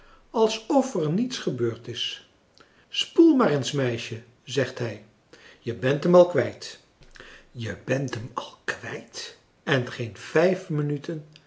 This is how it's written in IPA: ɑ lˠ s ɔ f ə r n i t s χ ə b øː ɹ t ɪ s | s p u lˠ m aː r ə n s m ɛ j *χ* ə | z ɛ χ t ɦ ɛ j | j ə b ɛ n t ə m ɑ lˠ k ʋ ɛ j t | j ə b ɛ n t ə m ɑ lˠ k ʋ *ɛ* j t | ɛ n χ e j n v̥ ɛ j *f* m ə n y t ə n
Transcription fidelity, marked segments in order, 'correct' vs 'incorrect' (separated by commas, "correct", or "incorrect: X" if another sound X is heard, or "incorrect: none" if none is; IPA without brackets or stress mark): incorrect: ʃ, correct, correct